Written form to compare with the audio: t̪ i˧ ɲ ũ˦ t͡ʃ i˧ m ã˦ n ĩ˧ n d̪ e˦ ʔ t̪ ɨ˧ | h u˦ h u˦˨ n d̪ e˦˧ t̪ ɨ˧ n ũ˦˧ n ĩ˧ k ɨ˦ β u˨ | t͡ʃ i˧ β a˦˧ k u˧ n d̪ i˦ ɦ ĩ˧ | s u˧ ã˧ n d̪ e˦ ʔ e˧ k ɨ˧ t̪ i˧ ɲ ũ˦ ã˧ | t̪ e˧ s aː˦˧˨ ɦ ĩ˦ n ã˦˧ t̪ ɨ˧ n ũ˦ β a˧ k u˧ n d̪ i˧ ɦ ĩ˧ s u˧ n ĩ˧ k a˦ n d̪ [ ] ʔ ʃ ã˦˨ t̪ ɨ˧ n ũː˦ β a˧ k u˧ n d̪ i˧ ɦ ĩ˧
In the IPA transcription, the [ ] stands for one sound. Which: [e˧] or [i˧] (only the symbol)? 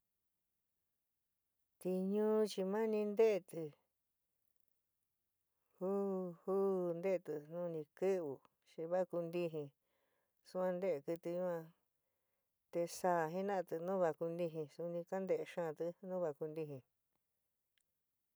e˧